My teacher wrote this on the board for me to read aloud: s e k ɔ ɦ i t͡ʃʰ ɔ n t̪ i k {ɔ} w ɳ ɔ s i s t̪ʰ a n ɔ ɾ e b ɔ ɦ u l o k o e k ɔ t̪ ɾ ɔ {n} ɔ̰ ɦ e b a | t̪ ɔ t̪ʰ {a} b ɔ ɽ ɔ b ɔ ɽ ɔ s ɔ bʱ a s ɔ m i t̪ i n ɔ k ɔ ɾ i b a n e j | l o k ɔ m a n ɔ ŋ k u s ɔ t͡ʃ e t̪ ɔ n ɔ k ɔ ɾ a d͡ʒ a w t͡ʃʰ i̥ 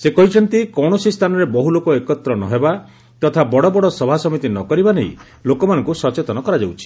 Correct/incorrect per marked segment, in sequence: correct, correct, correct

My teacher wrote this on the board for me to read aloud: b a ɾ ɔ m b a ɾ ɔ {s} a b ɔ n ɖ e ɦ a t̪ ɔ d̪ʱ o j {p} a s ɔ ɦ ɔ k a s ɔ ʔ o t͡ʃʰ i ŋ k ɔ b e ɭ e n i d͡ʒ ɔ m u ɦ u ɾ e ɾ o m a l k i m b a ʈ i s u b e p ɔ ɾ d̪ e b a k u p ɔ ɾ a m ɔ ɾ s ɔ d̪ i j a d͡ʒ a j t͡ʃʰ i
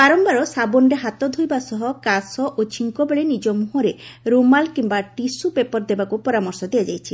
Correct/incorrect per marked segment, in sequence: correct, incorrect: b

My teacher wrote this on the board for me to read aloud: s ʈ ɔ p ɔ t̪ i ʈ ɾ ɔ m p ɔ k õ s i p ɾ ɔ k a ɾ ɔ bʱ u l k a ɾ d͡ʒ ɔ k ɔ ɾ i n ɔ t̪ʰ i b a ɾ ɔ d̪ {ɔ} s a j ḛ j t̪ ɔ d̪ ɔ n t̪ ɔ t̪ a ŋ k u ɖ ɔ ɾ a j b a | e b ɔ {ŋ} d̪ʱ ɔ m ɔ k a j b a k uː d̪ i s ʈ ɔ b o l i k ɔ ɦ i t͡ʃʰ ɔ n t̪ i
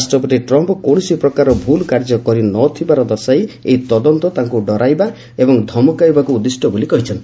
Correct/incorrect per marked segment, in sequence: correct, correct

